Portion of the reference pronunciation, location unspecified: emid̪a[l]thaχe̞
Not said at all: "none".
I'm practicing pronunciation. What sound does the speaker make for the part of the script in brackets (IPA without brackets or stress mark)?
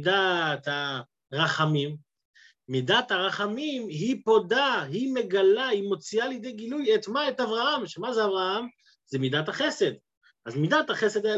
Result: none